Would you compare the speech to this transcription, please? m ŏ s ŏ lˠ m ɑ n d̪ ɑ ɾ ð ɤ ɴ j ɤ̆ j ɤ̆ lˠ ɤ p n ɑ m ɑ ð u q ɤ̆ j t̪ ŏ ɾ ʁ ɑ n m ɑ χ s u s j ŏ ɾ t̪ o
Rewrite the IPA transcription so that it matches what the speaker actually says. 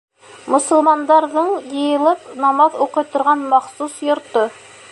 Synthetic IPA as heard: m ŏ s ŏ lˠ m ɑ n d̪ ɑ ɾ ð ɤ ɴ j ɤ̆ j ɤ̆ lˠ ɤ p n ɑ m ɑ ð u q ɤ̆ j t̪ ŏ ɾ ʁ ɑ n m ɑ χ s u s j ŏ ɾ t̪ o